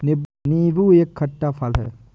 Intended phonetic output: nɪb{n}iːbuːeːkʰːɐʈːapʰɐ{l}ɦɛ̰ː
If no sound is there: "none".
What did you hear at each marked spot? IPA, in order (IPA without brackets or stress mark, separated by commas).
n, l